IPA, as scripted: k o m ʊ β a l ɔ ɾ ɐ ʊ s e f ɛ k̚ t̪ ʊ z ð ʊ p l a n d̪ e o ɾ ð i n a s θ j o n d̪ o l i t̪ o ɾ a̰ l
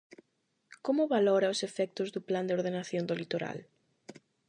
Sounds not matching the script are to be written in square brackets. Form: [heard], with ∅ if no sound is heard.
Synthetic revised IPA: k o m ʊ β a l ɔ ɾ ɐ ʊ s e f ɛ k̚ t̪ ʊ z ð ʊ p l a n d̪ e o ɾ ð [e] n a [∅] θ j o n d̪ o l i t̪ o ɾ a̰ l